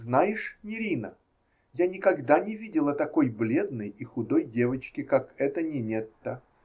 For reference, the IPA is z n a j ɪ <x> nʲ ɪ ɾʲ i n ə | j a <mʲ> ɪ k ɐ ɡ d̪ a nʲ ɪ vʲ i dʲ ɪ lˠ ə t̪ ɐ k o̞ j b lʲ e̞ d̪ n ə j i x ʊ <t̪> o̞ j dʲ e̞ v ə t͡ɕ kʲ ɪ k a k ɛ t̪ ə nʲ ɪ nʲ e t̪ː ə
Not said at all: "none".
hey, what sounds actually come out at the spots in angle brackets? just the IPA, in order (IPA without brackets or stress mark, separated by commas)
ʂ, nʲ, d̪